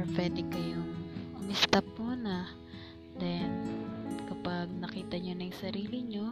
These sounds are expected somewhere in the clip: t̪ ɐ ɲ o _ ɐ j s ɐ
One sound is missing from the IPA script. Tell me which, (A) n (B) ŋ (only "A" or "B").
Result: A